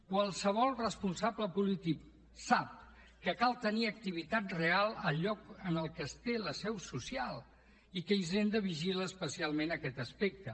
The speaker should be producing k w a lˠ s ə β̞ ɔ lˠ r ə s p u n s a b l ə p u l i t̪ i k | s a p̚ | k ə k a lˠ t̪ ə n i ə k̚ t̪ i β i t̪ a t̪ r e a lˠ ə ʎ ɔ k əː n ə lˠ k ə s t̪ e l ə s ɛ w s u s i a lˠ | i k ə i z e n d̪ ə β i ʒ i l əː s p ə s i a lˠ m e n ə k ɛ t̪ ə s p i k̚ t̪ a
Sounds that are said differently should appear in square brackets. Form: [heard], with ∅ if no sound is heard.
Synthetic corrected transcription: k w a lˠ s ə β̞ ɔ lˠ r ə s p u n s a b l ə p u l i t̪ i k | s a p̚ | k ə k a lˠ t̪ ə n i ə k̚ t̪ i β i t̪ a t̪ r e a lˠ ə ʎ ɔ k [ə] n ə lˠ k ə s t̪ e l ə s ɛ w s u s i a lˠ | i k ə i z e n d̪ ə β i ʒ i l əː s p ə s i a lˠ m e n ə k ɛ t̪ ə s p [e] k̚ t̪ [ə]